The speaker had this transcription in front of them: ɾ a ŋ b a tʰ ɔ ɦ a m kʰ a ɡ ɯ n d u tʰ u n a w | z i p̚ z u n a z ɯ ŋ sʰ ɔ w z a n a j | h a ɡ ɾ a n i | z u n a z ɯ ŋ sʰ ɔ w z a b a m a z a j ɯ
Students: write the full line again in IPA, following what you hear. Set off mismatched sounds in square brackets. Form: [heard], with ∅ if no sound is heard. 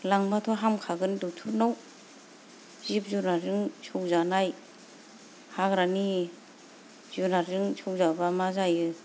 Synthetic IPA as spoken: [l] a ŋ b a tʰ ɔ ɦ a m kʰ a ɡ ɯ n d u tʰ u n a w | z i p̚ z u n a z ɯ ŋ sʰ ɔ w z a n a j | h a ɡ ɾ a n i | z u n a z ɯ ŋ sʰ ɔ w z a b a m a z a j ɯ